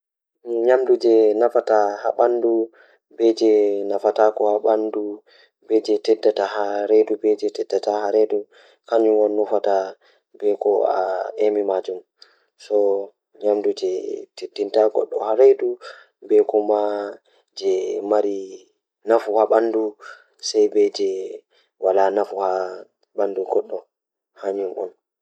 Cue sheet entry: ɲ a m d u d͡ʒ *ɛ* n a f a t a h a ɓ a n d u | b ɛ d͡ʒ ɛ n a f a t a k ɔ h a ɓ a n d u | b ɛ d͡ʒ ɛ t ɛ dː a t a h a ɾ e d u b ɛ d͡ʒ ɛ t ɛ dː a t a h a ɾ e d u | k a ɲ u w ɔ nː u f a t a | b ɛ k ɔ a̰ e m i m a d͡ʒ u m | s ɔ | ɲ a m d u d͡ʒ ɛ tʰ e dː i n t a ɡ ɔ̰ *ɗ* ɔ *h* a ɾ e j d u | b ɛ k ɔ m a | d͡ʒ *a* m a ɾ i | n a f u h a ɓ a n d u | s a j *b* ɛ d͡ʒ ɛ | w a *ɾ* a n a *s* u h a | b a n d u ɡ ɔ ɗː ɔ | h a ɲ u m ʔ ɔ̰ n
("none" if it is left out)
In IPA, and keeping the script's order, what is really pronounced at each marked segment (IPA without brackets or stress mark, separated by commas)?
ɛ, ɗː, h, ɛ, b, l, f